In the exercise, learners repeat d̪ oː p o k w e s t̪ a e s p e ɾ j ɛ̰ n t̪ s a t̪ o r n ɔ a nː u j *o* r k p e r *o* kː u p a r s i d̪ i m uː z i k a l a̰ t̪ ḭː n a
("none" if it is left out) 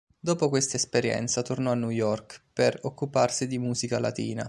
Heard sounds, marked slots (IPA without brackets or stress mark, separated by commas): ɔ, o